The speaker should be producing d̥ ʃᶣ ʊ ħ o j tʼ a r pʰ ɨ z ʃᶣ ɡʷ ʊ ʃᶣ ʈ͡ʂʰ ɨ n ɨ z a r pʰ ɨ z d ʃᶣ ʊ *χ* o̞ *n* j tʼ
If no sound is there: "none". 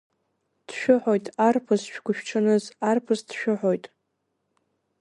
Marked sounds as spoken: ħ, none

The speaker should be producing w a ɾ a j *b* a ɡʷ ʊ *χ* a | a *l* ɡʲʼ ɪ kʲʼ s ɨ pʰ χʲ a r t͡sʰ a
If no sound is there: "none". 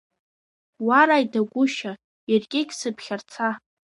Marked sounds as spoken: d, ʃ, r

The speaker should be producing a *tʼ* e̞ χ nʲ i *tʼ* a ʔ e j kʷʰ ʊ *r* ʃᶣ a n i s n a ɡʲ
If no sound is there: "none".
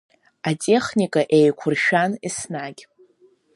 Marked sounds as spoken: tʼ, kʼ, r

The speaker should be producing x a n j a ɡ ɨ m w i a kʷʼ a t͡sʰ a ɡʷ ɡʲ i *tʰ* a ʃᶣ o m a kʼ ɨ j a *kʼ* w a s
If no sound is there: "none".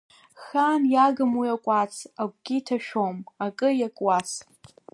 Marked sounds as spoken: tʰ, kʼ

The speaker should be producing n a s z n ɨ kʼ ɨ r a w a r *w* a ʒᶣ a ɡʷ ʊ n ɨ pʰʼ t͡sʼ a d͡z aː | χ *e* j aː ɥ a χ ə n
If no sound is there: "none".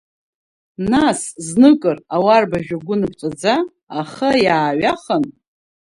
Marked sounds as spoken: b, a

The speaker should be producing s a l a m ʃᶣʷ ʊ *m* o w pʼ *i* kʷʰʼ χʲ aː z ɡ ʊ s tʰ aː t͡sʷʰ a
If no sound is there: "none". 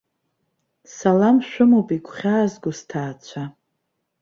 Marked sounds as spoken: m, i

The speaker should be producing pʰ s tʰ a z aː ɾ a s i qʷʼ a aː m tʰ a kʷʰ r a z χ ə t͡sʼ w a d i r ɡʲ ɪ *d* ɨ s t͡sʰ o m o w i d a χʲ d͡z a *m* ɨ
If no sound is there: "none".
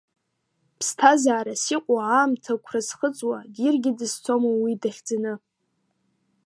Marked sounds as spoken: d, n

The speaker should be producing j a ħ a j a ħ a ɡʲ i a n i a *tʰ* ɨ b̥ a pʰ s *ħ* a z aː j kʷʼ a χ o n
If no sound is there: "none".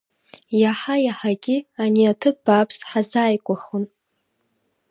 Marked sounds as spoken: tʰ, ħ

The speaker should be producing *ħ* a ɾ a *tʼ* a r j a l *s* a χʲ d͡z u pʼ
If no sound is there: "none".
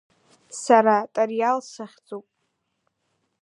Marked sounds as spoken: s, tʼ, s

